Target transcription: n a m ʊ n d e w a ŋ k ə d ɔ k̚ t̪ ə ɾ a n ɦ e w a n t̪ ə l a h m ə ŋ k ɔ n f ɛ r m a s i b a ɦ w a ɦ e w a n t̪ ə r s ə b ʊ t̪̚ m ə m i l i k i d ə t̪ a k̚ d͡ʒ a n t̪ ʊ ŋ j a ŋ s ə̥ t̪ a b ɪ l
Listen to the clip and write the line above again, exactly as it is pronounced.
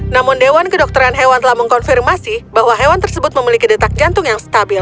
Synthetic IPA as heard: n a m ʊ n d e w a n k ə d ɔ k̚ t̪ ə ɾ a n ɦ e w a n t̪ ə l a h m ə ŋ k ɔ n f i r m a s i b a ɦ w a ɦ e w a n t̪ ə r s ə b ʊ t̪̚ m ə m i l i k i d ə t̪ a k̚ d͡ʒ a n t̪ ʊ ŋ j a ŋ s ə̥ t̪ a b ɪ l